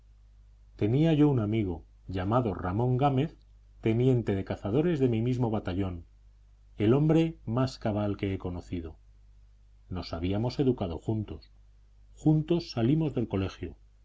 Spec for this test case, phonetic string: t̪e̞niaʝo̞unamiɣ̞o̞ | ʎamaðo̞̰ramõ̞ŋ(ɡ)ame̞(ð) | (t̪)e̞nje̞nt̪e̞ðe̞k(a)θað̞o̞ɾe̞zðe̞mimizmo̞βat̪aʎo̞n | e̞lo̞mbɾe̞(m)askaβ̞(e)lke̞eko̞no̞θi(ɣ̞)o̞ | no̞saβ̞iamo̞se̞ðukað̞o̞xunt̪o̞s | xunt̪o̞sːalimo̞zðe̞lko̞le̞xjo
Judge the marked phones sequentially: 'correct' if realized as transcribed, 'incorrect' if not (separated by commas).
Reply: correct, incorrect, correct, correct, correct, incorrect, incorrect